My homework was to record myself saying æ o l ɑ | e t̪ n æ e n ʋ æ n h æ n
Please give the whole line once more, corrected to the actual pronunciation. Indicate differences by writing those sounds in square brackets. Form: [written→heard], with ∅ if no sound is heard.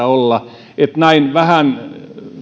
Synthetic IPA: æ o [l→lː] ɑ | e t̪ n æ [e→i] n ʋ æ [n→∅] h æ n